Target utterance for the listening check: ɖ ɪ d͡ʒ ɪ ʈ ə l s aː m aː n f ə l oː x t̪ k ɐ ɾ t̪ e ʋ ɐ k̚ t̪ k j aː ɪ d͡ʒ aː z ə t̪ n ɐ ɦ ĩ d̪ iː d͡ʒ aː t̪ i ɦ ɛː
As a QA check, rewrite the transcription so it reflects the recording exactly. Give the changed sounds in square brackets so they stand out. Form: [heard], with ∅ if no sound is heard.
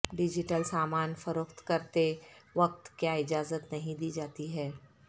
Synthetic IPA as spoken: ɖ ɪ d͡ʒ ɪ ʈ ə l s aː m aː n f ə [ɾ] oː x t̪ k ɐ ɾ t̪ e ʋ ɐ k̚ t̪ k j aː ɪ d͡ʒ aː z ə t̪ n ɐ ɦ ĩ d̪ iː d͡ʒ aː t̪ i ɦ ɛː

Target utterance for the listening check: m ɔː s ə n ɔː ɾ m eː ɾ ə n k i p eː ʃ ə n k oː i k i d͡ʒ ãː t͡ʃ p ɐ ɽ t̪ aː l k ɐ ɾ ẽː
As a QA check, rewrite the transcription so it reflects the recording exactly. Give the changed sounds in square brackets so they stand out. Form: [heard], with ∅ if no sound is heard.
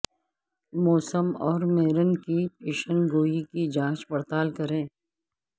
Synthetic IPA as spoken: m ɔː s ə [m] ɔː ɾ m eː ɾ ə n k i p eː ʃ ə n [ɡ] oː i k i d͡ʒ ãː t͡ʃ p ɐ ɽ t̪ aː l k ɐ ɾ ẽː

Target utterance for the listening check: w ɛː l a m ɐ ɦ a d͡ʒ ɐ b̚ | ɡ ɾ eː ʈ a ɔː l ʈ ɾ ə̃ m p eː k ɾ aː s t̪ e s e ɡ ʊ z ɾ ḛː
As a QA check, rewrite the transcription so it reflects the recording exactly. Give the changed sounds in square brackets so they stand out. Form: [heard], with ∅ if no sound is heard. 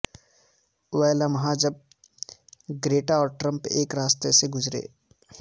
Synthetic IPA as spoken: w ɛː l a m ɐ ɦ a d͡ʒ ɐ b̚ | ɡ ɾ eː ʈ a ɔː [ɾ] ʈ ɾ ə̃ m p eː k ɾ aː s t̪ e s e ɡ ʊ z ɾ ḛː

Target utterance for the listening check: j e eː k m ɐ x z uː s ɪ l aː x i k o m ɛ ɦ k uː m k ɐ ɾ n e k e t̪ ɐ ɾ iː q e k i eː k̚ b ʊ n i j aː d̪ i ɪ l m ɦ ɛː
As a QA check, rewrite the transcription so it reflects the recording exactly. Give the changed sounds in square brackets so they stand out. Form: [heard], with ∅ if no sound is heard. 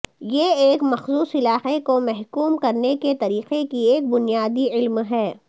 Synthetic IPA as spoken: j e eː k m ɐ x z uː s ɪ l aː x [e] k o m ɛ ɦ k uː m k ɐ ɾ n e k e t̪ ɐ ɾ iː q e k i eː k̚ b ʊ n i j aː d̪ i ɪ l m ɦ ɛː

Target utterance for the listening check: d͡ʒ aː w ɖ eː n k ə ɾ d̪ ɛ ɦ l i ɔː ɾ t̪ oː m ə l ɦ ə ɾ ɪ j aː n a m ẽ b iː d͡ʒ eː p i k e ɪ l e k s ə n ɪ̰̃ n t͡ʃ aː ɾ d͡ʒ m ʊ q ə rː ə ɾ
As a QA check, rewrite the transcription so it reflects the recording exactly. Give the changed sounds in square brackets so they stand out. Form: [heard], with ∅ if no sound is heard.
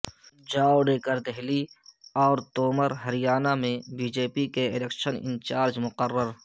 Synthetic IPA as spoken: d͡ʒ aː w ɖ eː [∅] k ə ɾ d̪ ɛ ɦ l i ɔː ɾ t̪ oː m ə [ɾ] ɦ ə ɾ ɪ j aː n a m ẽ b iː d͡ʒ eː p i k e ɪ l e k [ʃ] ə n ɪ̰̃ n t͡ʃ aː ɾ d͡ʒ m ʊ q ə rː ə ɾ

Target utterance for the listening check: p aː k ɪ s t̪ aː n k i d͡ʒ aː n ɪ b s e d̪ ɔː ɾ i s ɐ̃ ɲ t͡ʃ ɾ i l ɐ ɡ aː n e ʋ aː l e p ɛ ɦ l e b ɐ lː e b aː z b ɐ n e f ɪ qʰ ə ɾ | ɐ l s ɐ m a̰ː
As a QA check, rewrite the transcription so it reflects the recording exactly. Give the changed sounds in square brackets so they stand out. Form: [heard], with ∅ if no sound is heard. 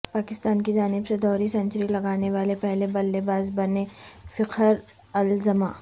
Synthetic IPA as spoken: p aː k ɪ s t̪ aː n k i d͡ʒ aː n ɪ b s e d̪ ɔː ɾ i s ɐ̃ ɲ t͡ʃ ɾ i l ɐ ɡ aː n e ʋ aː l e p ɛ ɦ l e b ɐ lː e b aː z b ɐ n e f ɪ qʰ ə ɾ | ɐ l [z] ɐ m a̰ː

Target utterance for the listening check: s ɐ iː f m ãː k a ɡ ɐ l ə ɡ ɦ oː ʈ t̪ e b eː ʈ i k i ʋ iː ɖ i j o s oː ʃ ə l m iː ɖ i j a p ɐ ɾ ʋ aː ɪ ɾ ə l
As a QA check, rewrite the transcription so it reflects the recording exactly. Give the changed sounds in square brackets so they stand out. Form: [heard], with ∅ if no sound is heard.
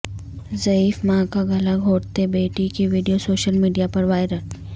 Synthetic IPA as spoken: [z] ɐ iː f m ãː k a ɡ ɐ l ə ɡ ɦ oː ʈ t̪ e b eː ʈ i k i ʋ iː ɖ i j o s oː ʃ ə l m iː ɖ i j a p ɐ ɾ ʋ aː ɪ ɾ ə l

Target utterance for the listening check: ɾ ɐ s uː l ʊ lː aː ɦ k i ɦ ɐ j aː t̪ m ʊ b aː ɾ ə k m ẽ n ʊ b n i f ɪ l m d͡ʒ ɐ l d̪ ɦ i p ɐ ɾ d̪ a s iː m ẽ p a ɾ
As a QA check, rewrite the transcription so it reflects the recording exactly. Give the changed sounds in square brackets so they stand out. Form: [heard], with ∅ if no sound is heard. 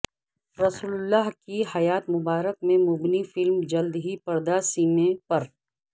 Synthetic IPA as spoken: ɾ ɐ s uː l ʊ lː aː ɦ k i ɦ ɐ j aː t̪ m ʊ b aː ɾ ə k m ẽ [m] ʊ b n i f ɪ l m d͡ʒ ɐ l d̪ ɦ i p ɐ ɾ d̪ a s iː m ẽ p [ɐ] ɾ

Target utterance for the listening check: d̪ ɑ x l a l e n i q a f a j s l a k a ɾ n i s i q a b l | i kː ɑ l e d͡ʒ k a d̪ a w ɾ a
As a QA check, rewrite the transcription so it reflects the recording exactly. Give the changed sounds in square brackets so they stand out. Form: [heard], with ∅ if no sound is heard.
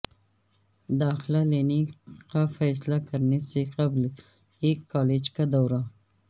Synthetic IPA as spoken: d̪ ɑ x l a l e n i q a f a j s l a k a ɾ n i s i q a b l | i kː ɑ l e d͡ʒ k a d̪ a w ɾ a

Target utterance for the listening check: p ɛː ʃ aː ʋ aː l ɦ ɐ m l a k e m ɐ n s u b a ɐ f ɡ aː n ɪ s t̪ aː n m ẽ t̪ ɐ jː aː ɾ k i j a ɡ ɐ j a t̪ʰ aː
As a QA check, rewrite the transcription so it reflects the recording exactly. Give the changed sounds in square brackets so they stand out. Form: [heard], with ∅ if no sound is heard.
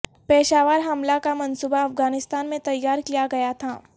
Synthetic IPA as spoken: p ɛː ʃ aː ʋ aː [ɾ] ɦ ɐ m l a k [a] m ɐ n s u b a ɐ f ɡ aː n ɪ s t̪ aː n m ẽ t̪ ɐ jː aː ɾ k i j a ɡ ɐ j a t̪ʰ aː

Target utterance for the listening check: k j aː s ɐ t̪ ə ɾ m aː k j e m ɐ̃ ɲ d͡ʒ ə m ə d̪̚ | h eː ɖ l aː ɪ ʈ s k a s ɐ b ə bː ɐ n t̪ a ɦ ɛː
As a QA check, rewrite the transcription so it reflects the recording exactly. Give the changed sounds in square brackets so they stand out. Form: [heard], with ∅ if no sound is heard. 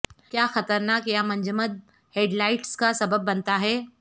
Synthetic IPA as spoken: k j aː [x] ɐ t̪ ə ɾ [n] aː k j [a] m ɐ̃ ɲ d͡ʒ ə m ə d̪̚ | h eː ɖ l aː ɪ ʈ s k a s ɐ b ə bː ɐ n t̪ a ɦ ɛː

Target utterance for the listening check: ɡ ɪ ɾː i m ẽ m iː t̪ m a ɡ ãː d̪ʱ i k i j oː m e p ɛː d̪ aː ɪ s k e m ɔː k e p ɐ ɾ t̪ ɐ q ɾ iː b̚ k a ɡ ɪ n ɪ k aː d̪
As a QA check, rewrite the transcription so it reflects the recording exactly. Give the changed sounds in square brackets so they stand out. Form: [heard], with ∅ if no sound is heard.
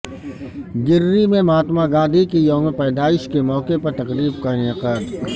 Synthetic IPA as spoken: ɡ ɪ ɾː i m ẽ m [aː] t̪ m a ɡ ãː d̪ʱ i k i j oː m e p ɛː d̪ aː ɪ [ʃ] k e m ɔː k e p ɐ ɾ t̪ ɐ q ɾ iː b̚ k a [∅] ɪ n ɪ [q] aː d̪

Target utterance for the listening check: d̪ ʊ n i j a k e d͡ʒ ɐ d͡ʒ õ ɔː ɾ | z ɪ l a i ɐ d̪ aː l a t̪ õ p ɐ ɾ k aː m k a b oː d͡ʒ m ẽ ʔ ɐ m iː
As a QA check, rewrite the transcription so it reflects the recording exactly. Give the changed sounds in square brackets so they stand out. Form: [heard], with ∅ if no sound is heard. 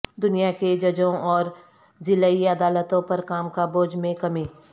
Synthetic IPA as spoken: d̪ ʊ n i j a k e d͡ʒ ɐ d͡ʒ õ ɔː ɾ | z ɪ l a i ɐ d̪ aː l [ə] t̪ õ p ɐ ɾ k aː m k a b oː d͡ʒ m ẽ [k] ɐ m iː

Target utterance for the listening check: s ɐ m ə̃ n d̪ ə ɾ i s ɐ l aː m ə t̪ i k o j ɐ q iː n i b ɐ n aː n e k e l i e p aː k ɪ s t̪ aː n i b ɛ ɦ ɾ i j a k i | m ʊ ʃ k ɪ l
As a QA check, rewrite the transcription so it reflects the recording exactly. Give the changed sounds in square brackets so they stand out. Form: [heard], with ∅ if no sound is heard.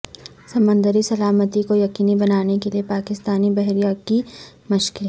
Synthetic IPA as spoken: s ɐ m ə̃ n d̪ ə ɾ i s ɐ l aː m ə t̪ i k o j ɐ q iː n i b ɐ n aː n e k e l i e p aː k ɪ s t̪ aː n i b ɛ ɦ ɾ i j a k i | m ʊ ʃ k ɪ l

